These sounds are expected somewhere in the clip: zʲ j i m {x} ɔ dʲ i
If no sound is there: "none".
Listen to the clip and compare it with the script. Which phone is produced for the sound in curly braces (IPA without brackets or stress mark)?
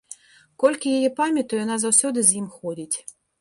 x